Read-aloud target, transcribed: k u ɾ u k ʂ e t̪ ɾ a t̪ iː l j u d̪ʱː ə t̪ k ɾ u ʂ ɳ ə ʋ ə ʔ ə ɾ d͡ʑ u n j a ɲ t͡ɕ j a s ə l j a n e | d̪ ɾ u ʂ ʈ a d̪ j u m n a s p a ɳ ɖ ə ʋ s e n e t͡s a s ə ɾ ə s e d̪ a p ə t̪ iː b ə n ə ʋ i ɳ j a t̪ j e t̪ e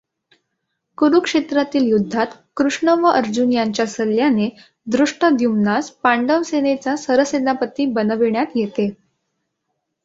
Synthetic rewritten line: k u ɾ u k ʂ e t̪ ɾ a t̪ iː l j u d̪ʱː a t̪ k ɾ u ʂ ɳ ə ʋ ə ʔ ə ɾ d͡ʑ u n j a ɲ t͡ɕ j a s ə l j a n e | d̪ ɾ u ʂ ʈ ə d̪ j u m n a s p a ɳ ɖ ə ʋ s e n e t͡s a s ə ɾ ə s e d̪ a p ə t̪ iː b ə n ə ʋ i ɳ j a t̪ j e t̪ e